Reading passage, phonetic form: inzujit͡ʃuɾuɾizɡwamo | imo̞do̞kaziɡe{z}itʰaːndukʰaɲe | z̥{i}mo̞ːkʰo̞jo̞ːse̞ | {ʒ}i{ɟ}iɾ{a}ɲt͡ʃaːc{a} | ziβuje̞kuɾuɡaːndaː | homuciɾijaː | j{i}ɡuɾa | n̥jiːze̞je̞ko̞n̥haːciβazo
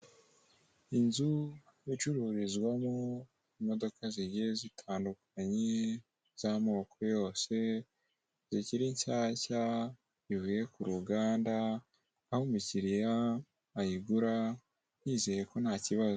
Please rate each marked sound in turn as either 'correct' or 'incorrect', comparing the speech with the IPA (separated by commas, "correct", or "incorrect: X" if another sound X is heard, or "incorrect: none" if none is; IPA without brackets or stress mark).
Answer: correct, incorrect: a, incorrect: z, incorrect: c, incorrect: i, correct, correct